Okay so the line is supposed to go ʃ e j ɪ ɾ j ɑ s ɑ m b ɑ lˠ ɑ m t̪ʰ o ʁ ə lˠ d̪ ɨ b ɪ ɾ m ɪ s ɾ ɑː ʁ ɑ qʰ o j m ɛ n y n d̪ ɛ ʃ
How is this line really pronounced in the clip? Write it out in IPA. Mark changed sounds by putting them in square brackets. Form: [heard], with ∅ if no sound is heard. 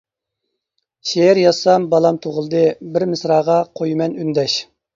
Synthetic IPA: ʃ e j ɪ ɾ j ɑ s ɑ m b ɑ lˠ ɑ m t̪ʰ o ʁ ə lˠ d̪ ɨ b ɪ ɾ m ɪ s ɾ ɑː ʁ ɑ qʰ o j m ɛ n y n d̪ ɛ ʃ